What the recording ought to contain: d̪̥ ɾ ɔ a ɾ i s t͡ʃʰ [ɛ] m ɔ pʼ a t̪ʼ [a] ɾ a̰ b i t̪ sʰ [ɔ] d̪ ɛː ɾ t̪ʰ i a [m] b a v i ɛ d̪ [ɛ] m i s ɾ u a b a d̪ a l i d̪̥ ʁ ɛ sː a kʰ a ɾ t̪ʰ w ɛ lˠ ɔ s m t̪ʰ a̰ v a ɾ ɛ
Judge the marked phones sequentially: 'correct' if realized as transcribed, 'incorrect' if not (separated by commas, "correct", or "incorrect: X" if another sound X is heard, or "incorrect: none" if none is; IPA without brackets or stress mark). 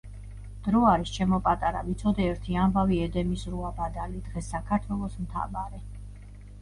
correct, correct, correct, correct, correct